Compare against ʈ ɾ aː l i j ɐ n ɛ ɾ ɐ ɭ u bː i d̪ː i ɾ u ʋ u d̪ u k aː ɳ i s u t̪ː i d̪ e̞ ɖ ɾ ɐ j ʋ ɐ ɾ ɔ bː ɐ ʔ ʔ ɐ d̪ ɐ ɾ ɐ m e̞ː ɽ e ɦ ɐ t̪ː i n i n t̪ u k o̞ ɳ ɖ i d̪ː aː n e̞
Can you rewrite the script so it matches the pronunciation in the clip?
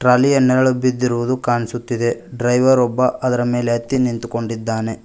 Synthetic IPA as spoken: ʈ ɾ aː l i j ɐ n ɛ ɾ ɐ ɭ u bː i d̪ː i ɾ u ʋ u d̪ u k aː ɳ i s u t̪ː i d̪ e̞ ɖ ɾ ɐ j ʋ ɐ ɾ ɔ bː ɐ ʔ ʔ ɐ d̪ ɐ ɾ ɐ m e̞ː l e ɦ ɐ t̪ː i n i n t̪ u k o̞ ɳ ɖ i d̪ː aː n e̞

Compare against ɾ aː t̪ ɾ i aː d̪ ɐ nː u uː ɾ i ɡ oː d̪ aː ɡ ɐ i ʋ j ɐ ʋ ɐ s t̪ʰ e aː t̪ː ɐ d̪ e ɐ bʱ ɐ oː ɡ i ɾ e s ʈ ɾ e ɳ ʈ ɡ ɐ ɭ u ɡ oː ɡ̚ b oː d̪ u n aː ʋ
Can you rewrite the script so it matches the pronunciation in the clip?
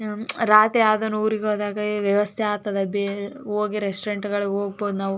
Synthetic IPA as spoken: ɾ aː t̪ ɾ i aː d̪ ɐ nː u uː ɾ i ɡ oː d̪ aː ɡ ɐ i ʋ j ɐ ʋ ɐ s t̪ʰ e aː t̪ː ɐ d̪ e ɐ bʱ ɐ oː ɡ i ɾ e s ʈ ɾ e ɳ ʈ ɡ ɐ ɭ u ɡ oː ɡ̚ b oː d̪ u n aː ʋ

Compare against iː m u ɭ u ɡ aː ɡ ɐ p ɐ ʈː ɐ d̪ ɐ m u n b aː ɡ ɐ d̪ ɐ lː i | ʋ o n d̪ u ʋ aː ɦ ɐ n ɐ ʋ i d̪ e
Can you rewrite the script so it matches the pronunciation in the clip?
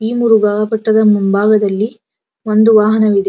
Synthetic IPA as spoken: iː m u ɾ u ɡ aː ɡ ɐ p ɐ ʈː ɐ d̪ ɐ m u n b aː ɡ ɐ d̪ ɐ lː i | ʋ o n d̪ u ʋ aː ɦ ɐ n ɐ ʋ i d̪ e

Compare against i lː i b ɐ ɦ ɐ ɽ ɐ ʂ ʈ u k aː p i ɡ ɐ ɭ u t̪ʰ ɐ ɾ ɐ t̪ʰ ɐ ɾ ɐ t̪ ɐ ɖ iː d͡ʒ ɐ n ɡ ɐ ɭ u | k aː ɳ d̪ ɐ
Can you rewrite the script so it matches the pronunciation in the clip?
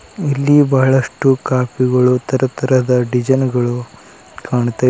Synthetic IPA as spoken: i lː i b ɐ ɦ ɐ ɭ ɐ ʂ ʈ u k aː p i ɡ ɐ ɭ u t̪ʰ ɐ ɾ ɐ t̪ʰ ɐ ɾ ɐ d̪ ɐ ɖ i d͡ʒ ɐ n ɡ ɐ ɭ u | k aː ɳ t̪ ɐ

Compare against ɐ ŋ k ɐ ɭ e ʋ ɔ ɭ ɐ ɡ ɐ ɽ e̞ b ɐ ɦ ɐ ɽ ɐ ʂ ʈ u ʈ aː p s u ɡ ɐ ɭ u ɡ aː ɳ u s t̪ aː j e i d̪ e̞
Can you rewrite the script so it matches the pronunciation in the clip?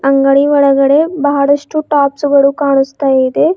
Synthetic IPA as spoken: ɐ ŋ ɡ ɐ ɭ i ʋ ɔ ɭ ɐ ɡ ɐ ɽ e̞ b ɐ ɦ ɐ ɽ ɐ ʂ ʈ u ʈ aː p s u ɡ ɐ ɭ u k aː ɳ u s t̪ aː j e i d̪ e̞

